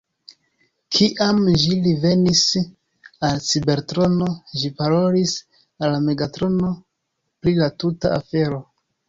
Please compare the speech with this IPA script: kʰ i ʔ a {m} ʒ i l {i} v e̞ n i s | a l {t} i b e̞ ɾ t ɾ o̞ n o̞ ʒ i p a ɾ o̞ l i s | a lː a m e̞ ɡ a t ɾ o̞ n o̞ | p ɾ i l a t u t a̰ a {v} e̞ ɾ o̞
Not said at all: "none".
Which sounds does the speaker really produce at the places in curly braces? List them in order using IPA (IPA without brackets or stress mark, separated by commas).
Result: m, i, t͡s, f